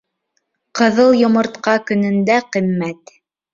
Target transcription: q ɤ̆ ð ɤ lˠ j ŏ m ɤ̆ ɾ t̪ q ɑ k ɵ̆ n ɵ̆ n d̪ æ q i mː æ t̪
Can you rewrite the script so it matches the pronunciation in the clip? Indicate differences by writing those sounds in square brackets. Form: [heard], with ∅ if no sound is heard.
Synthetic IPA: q ɤ̆ ð ɤ lˠ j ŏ m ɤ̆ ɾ t̪ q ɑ k ɵ̆ n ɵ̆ n d̪ æ q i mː æ t̪